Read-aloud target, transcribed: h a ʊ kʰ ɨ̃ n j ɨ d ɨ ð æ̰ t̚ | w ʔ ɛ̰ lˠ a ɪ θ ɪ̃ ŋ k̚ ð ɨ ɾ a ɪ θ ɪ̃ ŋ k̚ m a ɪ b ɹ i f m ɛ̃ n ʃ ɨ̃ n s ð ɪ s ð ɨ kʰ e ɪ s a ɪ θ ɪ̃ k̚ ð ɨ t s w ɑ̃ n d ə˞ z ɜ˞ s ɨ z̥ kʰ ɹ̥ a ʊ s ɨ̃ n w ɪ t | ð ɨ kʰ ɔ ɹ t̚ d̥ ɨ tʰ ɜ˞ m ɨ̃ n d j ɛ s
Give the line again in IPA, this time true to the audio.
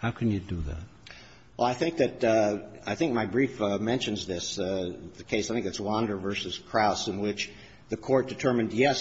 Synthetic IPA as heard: h a ʊ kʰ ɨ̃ n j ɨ d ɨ ð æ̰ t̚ | w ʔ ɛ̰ lˠ a ɪ θ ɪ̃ ŋ k̚ ð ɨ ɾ a ɪ θ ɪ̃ ŋ k̚ m a ɪ b ɹ i f m ɛ̃ n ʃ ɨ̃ n z ð ɪ s ð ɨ kʰ e ɪ s a ɪ θ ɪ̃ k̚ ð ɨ t s w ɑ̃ n d ə˞ v ɜ˞ s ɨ z̥ kʰ ɹ̥ a ʊ s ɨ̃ n w ɪ t͡ʃ | ð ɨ kʰ ɔ ɹ t̚ d̥ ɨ tʰ ɜ˞ m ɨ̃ n d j ɛ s

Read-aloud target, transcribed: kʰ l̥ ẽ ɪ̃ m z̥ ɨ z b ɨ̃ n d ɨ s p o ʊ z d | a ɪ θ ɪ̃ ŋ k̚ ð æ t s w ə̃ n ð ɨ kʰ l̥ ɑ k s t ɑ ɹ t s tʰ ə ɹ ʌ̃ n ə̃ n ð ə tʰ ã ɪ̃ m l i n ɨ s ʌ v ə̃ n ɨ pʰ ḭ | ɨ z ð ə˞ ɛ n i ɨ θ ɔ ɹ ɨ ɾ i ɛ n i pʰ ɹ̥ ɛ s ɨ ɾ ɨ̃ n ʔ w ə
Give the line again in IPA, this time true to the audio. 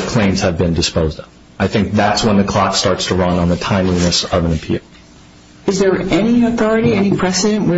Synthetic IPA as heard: kʰ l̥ ẽ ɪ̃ m z̥ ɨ v b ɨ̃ n d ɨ s p o ʊ z d | a ɪ θ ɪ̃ ŋ k̚ ð æ t s w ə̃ n ð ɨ kʰ l̥ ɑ k s t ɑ ɹ t s tʰ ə ɹ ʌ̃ n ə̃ n ð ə tʰ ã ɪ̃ m l i n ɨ s ʌ v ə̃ n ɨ pʰ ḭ | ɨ z ð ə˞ ɛ n i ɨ θ ɔ ɹ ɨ ɾ i ɛ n i pʰ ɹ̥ ɛ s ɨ ɾ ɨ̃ n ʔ w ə

